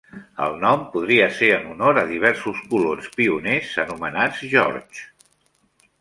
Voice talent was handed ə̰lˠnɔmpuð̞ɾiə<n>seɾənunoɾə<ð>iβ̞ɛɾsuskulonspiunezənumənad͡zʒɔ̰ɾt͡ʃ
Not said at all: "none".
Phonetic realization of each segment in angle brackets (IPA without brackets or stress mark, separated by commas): none, ð